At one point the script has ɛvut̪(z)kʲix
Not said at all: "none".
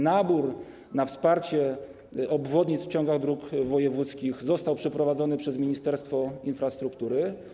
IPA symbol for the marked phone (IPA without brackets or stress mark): s